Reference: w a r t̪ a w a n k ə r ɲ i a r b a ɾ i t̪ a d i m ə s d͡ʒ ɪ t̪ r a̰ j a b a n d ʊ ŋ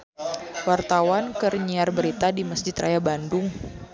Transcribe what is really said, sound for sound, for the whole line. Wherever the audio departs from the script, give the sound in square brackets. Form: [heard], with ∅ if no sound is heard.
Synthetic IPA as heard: w a r t̪ a w a n k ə r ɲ i a r b [ə] ɾ i t̪ a d i m ə s d͡ʒ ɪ t̪ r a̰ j a b a n d ʊ ŋ